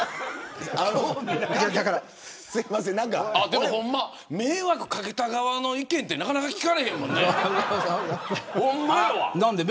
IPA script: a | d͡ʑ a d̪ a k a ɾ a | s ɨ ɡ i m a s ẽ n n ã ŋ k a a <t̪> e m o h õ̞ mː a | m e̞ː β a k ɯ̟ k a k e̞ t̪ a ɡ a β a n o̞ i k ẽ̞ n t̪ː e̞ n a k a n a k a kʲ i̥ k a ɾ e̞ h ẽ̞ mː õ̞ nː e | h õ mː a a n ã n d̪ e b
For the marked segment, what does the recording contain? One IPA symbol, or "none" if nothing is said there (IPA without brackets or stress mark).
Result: d̪